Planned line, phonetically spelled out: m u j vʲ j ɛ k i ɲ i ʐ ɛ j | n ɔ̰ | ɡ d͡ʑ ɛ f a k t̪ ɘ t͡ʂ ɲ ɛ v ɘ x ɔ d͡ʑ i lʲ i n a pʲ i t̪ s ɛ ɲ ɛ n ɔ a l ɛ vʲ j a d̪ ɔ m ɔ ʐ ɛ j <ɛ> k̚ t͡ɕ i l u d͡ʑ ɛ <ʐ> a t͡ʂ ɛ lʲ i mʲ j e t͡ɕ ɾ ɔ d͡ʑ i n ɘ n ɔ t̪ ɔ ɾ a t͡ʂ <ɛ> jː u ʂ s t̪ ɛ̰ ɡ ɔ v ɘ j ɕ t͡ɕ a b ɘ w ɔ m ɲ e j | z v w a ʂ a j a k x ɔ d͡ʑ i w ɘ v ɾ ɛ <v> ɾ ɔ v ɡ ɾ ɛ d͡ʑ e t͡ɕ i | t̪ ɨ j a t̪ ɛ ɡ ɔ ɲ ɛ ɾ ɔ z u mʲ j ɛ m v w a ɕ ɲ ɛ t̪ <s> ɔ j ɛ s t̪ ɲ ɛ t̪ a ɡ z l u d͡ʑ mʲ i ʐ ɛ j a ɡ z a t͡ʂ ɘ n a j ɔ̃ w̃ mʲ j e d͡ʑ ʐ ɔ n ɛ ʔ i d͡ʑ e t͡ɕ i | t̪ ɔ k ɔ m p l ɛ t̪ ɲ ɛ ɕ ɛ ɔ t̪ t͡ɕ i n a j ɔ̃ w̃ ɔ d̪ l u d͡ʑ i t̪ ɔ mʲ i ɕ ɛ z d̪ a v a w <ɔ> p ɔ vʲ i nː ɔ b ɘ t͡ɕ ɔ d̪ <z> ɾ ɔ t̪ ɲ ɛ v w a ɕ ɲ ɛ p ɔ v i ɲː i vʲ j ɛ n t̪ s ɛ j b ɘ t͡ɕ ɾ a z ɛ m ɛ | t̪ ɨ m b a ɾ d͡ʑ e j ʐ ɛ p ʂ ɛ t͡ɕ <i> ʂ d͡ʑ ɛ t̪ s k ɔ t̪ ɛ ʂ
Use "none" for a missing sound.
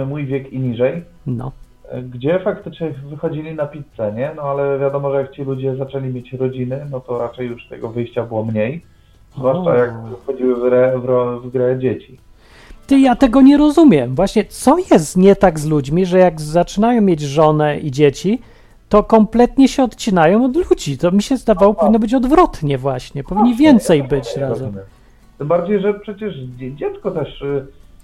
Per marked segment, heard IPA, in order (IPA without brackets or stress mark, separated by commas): a, z, ɛ, v, s, ɔ, v, ɛ